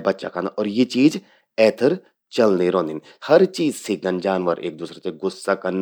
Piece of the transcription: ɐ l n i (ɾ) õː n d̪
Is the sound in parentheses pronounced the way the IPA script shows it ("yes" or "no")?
yes